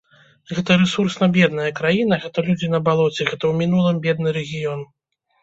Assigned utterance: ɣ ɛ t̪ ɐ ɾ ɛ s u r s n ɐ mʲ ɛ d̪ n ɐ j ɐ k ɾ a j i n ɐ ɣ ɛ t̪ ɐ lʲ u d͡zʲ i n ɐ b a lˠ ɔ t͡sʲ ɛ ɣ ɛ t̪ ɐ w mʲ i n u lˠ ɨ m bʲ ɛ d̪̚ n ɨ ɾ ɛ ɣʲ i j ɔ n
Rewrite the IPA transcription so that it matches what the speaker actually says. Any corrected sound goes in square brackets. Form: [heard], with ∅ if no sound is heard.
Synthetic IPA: ɣ ɛ t̪ ɐ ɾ ɛ s u r s n ɐ [bʲ] ɛ d̪ n ɐ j ɐ k ɾ a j i n ɐ ɣ ɛ t̪ ɐ lʲ u d͡zʲ i n ɐ b a lˠ ɔ t͡sʲ ɛ ɣ ɛ t̪ ɐ w mʲ i n u lˠ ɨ m bʲ ɛ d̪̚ n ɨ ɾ ɛ ɣʲ i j ɔ n